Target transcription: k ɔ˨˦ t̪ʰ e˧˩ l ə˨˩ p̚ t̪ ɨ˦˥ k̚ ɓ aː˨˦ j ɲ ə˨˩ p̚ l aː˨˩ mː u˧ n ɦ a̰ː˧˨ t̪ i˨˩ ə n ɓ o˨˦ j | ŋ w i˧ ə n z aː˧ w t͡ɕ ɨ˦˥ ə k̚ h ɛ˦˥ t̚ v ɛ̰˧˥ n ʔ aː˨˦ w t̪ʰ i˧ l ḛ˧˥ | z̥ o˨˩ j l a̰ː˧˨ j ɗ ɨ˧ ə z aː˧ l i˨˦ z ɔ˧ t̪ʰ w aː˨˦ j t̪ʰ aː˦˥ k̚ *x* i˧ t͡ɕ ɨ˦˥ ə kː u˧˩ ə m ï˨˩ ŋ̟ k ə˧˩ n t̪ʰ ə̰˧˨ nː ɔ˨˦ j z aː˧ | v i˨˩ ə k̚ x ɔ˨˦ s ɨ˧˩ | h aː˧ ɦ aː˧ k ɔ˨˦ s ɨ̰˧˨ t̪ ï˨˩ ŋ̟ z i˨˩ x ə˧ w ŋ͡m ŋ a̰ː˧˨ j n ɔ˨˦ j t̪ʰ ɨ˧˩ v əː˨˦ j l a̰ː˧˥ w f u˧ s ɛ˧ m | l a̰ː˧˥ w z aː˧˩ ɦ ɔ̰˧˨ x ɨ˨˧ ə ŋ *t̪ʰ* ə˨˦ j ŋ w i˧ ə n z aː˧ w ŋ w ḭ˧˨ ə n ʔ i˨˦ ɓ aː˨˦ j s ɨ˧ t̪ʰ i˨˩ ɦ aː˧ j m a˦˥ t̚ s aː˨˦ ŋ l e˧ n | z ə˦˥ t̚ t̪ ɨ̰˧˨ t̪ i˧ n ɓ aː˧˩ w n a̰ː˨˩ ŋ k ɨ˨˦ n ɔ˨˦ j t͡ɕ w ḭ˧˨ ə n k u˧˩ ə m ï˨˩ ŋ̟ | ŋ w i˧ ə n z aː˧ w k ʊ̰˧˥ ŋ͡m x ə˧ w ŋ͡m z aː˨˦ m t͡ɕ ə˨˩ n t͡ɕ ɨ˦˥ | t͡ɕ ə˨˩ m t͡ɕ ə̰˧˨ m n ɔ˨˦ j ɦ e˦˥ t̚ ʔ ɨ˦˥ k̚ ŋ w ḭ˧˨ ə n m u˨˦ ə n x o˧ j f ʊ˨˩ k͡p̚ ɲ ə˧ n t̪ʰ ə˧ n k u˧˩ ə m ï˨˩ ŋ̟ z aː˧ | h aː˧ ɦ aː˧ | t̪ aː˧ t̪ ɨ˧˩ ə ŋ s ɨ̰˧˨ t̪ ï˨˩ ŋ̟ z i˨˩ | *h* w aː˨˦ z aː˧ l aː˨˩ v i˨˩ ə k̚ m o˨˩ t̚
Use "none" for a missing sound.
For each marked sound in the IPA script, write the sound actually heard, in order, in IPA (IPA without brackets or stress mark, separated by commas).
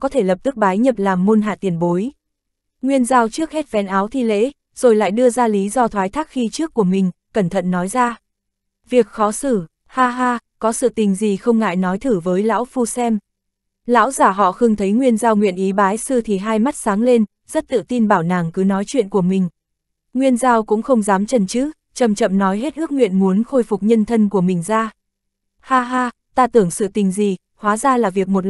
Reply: x, t̪ʰ, h